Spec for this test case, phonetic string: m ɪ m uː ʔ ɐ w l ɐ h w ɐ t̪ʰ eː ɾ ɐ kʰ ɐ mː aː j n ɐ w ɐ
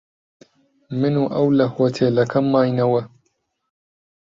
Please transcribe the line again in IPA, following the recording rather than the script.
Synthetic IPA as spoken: m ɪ n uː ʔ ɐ w l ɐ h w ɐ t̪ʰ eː l ɐ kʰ ɐ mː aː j n ɐ w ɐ